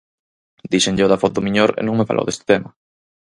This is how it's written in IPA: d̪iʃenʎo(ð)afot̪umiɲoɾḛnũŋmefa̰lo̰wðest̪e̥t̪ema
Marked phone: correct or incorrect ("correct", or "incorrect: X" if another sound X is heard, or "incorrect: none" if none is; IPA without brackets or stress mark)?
correct